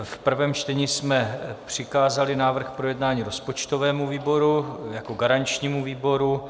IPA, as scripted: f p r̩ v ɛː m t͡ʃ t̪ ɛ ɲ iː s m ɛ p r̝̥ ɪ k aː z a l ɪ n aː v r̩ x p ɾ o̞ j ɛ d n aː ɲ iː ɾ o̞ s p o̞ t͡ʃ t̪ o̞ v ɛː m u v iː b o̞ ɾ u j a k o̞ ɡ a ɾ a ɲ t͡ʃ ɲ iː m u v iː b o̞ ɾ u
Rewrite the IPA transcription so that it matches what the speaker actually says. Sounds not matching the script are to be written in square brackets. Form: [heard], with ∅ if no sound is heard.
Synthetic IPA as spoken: f p r̩ v ɛː m t͡ʃ t̪ ɛ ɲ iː s m ɛ p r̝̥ ɪ k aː z a l ɪ n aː v r̩ x p ɾ o̞ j ɛ d n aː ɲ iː ɾ o̞ s p o̞ t͡ʃ t̪ o̞ v ɛː m u v iː b o̞ ɾ u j a k o̞ ɡ a ɾ a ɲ t͡ʃ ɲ iː m u v iː b o̞ ɾ u